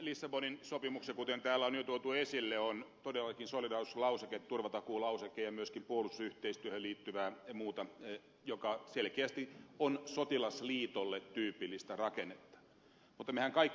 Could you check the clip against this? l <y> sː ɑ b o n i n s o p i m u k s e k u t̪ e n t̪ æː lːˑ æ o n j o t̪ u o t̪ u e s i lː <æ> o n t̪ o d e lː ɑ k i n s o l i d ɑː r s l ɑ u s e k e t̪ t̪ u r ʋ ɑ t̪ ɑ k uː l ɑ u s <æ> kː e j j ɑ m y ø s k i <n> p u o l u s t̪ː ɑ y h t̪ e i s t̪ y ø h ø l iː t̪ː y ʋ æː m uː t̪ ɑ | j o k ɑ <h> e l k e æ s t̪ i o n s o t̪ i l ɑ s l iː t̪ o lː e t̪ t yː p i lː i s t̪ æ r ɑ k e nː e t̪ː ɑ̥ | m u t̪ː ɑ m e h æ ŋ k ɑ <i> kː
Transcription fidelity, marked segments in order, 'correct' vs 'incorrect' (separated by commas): incorrect, incorrect, incorrect, incorrect, incorrect, correct